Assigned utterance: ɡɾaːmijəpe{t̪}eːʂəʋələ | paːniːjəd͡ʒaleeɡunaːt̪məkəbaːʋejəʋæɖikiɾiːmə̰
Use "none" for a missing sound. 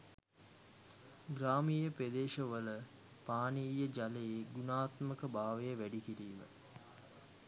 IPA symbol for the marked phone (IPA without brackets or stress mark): d̪